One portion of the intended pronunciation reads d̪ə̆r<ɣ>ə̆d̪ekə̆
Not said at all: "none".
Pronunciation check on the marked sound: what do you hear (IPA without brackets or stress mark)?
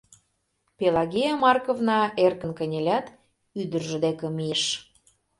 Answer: ʒ